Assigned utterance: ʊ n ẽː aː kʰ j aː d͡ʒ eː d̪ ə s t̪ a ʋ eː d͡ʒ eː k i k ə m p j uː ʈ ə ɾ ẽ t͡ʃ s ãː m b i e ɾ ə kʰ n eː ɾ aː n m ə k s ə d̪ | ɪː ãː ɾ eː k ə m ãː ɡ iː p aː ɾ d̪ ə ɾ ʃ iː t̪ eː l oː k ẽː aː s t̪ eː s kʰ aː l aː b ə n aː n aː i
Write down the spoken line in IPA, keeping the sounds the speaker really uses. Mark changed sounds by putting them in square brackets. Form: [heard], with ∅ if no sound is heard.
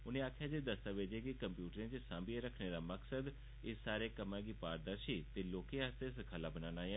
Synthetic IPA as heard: ʊ n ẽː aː kʰ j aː d͡ʒ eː d̪ ə s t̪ a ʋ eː d͡ʒ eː k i k ə m p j uː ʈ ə ɾ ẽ t͡ʃ s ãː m b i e ɾ ə kʰ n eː ɾ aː [∅] m ə k s ə d̪ | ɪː [aː] ɾ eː k ə m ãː ɡ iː p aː ɾ d̪ ə ɾ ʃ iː t̪ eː l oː k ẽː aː s t̪ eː s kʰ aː l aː b ə n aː n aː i

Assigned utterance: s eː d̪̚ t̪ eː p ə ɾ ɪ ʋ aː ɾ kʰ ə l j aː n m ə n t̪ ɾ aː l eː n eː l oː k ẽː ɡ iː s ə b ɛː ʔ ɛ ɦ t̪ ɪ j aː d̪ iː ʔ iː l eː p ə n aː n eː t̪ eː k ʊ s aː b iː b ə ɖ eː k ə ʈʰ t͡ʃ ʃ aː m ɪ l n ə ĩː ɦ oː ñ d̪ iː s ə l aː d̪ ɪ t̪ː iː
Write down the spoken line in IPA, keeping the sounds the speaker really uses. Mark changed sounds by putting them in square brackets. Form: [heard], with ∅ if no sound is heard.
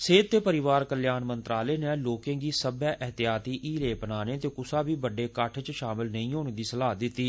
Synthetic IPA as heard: s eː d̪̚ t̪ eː p ə ɾ ɪ ʋ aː ɾ [k] ə l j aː n m ə n t̪ ɾ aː l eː n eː l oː k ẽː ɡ iː s ə b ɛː ʔ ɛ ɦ t̪ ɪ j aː [t̪] iː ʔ iː l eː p ə n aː n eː t̪ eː k ʊ s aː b iː b ə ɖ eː k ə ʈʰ t͡ʃ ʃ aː m ɪ l n ə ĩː ɦ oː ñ d̪ iː s ə l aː d̪ ɪ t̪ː iː

